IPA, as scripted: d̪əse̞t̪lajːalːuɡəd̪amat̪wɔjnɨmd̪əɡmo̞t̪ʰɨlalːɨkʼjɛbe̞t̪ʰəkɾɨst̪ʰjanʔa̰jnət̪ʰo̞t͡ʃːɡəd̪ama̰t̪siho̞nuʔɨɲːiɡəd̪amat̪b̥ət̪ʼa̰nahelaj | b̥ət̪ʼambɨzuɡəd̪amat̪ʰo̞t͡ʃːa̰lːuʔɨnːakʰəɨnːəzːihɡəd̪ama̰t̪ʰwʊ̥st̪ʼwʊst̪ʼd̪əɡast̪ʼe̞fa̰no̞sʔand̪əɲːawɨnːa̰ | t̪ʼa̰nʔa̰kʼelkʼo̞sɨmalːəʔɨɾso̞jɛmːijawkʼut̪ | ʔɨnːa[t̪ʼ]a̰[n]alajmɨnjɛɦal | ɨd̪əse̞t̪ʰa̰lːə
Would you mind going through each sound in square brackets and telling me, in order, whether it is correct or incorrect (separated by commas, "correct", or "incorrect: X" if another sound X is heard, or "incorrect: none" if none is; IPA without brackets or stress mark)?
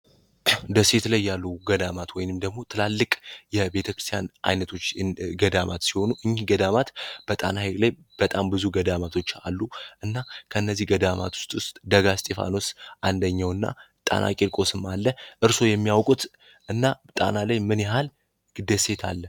correct, correct